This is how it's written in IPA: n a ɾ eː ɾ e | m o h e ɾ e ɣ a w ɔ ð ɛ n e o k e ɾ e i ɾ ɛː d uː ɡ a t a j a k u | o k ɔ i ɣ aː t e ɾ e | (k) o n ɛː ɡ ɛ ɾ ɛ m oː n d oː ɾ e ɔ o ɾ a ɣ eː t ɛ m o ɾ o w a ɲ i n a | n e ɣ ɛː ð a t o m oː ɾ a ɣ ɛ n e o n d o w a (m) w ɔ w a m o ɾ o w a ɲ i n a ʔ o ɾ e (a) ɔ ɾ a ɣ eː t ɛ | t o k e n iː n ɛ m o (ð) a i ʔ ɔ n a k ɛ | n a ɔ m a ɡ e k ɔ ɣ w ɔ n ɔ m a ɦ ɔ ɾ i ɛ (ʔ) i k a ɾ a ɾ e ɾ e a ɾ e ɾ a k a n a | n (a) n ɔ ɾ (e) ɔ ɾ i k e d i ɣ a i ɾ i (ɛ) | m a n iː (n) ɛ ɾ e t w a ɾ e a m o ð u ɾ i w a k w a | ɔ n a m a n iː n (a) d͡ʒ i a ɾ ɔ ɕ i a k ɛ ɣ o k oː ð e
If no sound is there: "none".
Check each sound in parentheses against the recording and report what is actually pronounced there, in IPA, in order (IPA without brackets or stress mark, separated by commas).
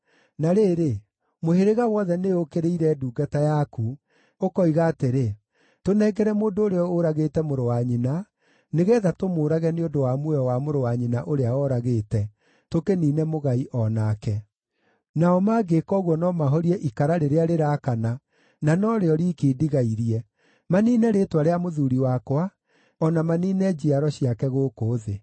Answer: t, m, a, ɣ, ʔ, a, e, ɛ, n, ɛ